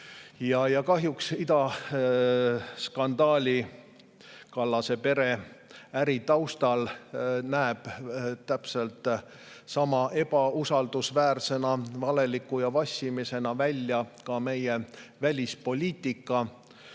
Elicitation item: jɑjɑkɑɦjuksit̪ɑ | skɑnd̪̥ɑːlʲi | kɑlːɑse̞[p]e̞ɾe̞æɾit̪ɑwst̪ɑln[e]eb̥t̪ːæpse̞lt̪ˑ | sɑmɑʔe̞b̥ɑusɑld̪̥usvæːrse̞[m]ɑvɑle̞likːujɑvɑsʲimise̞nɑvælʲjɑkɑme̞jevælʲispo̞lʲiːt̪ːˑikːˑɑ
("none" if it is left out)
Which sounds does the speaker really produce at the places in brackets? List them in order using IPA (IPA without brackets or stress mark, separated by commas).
p, æ, n